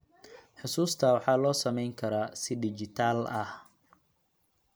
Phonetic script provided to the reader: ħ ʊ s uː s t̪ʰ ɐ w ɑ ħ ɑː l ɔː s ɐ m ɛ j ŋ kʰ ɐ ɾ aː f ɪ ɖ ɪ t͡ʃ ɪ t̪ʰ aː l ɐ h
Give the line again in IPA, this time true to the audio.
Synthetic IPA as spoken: ħ ʊ s uː s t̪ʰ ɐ w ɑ ħ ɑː l ɔː s ɐ m ɛ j ŋ kʰ ɐ ɾ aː s ɪ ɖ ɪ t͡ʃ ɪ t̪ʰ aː l ɐ h